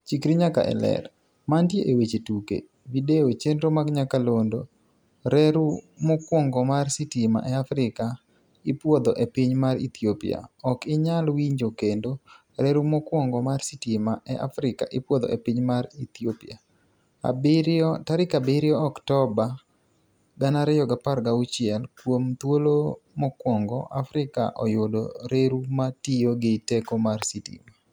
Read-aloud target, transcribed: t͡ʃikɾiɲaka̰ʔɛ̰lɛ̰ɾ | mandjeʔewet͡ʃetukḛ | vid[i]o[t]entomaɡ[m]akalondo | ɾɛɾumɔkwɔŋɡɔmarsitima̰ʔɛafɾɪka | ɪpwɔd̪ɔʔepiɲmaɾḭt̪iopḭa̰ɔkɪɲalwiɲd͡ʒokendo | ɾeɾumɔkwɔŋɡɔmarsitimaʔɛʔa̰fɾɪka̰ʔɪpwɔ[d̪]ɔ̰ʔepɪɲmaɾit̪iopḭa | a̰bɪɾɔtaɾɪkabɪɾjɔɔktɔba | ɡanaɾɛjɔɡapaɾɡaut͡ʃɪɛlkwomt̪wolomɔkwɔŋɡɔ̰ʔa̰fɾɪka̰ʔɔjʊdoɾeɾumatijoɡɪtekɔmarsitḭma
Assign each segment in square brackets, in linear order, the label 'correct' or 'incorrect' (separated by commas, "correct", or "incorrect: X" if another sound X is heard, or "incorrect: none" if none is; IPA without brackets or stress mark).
incorrect: e, incorrect: t͡ʃ, incorrect: ɲ, correct